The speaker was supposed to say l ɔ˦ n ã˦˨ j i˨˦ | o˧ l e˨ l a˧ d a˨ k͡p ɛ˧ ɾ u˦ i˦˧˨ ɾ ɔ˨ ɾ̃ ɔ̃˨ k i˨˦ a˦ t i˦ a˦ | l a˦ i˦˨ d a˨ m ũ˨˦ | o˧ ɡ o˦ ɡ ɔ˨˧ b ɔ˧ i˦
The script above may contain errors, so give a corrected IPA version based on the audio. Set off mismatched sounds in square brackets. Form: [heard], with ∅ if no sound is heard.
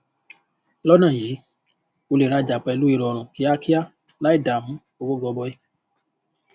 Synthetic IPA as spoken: l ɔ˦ n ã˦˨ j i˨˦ | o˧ l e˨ [ɾ] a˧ [d͡ʒ] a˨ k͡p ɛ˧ [l] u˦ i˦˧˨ ɾ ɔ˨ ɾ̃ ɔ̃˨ k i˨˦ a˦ [k] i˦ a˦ | l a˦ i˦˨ d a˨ m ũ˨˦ | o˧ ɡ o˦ ɡ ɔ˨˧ b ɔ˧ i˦